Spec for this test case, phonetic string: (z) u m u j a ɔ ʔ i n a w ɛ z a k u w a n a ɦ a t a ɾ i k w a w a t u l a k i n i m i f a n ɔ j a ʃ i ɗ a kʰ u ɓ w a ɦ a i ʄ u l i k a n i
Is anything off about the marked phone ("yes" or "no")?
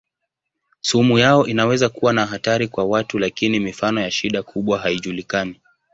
yes